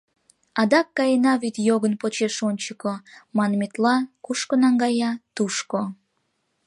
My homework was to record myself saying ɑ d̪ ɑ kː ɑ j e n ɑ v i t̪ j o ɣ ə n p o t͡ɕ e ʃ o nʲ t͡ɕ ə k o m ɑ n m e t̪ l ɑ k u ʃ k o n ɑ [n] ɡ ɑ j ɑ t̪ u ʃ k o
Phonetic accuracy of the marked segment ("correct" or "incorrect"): incorrect